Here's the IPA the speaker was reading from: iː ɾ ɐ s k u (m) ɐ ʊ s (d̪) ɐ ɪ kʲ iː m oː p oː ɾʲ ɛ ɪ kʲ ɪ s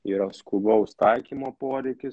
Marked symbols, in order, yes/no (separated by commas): no, no